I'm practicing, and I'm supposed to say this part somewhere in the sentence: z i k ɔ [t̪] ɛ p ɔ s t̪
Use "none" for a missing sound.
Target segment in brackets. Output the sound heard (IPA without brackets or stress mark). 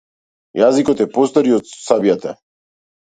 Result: t̪